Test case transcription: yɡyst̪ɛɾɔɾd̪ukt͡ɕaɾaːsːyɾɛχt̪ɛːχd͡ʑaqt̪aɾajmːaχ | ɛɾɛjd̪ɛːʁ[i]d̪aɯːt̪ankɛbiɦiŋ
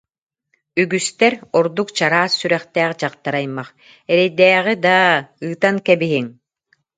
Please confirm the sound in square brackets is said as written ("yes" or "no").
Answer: yes